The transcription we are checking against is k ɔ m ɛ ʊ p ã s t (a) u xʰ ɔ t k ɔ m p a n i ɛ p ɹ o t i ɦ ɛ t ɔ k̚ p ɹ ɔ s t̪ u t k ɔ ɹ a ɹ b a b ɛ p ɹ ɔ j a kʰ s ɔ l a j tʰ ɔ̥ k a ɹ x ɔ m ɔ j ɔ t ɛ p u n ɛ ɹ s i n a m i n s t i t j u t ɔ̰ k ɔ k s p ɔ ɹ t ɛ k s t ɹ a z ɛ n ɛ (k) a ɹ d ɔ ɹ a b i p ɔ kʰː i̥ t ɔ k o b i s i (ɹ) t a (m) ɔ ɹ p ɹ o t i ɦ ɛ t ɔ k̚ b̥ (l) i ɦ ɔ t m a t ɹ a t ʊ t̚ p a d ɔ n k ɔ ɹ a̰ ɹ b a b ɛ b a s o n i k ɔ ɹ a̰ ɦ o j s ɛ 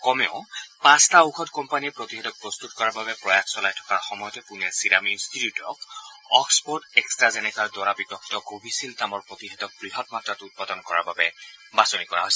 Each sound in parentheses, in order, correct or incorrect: correct, correct, incorrect, correct, incorrect

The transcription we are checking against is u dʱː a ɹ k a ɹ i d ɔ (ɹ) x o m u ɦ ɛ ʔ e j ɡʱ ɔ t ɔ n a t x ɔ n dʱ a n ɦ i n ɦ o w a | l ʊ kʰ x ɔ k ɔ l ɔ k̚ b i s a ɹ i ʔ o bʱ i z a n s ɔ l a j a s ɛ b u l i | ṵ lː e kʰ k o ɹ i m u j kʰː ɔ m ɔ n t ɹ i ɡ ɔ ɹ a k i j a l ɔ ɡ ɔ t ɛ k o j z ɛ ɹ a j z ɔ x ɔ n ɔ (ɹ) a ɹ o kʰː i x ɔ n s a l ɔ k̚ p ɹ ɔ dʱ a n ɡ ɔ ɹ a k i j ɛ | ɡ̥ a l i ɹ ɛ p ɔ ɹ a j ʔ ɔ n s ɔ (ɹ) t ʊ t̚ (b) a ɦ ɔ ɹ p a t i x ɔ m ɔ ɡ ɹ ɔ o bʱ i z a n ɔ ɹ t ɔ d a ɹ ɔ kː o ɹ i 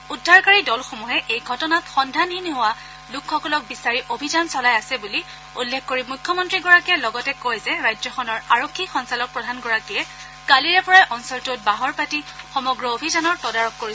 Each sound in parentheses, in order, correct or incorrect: incorrect, correct, incorrect, correct

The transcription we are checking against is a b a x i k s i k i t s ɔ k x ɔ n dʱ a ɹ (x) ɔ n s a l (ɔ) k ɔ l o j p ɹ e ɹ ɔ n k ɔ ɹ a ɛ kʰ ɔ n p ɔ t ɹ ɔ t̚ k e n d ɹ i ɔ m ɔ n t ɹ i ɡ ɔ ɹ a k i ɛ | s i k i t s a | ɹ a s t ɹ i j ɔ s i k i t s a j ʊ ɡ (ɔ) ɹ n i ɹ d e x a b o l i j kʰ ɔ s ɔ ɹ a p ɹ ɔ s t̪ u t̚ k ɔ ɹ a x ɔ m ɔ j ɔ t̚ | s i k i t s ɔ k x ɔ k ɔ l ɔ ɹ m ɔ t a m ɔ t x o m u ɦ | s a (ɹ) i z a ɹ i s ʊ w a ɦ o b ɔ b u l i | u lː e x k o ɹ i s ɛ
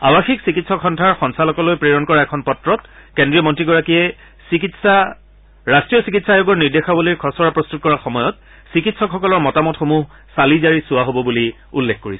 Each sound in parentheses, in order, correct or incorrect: correct, correct, correct, incorrect

